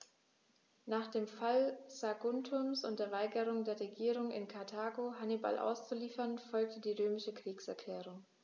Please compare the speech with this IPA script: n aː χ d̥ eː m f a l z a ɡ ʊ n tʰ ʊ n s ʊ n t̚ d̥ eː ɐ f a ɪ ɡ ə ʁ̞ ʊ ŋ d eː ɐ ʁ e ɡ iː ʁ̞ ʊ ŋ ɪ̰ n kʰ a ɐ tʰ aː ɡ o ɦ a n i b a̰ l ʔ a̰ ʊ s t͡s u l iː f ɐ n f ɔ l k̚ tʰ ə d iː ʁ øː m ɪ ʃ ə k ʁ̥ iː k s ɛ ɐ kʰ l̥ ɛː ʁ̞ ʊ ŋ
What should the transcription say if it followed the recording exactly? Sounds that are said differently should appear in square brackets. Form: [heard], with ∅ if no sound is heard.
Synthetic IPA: n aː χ d̥ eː m f a l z a ɡ ʊ n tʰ ʊ [m] s ʊ n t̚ d̥ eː ɐ [v] a ɪ ɡ ə ʁ̞ ʊ ŋ d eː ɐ ʁ e ɡ iː ʁ̞ ʊ ŋ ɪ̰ n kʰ a ɐ tʰ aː ɡ o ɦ a n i b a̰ l ʔ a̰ ʊ s t͡s u l iː f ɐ n f ɔ l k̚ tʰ ə d iː ʁ øː m ɪ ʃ ə k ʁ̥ iː k s ɛ ɐ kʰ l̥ ɛː ʁ̞ ʊ ŋ